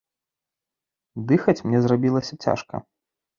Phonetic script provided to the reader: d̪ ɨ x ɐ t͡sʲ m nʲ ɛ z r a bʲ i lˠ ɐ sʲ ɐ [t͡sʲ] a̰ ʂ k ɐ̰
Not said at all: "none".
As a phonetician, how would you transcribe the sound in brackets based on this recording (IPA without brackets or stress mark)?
t͡sʲ